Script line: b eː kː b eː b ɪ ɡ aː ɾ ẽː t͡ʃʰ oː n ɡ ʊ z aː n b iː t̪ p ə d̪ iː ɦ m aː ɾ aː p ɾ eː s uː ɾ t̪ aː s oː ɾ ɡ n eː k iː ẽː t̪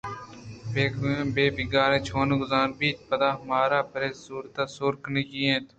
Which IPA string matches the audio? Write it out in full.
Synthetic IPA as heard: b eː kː b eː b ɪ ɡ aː ɾ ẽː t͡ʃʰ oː n ɡ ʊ z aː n b iː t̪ p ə d̪ aː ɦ m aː ɾ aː p ɾ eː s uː ɾ t̪ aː s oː ɾ k n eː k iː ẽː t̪